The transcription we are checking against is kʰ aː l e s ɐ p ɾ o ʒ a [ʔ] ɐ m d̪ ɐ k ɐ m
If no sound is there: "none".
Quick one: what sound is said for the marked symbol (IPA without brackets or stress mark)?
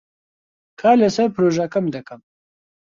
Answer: k